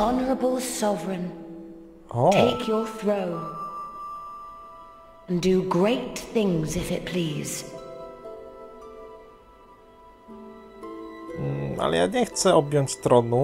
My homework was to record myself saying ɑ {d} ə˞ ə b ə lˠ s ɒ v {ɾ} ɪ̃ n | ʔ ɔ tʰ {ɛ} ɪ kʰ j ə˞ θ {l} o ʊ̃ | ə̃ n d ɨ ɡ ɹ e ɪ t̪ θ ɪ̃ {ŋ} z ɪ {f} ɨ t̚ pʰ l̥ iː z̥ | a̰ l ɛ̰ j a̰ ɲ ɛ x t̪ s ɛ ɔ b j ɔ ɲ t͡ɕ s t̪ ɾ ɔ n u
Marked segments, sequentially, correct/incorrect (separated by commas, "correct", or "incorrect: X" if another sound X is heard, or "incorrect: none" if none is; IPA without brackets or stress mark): incorrect: n, incorrect: ɹ, incorrect: e, incorrect: ɹ, correct, correct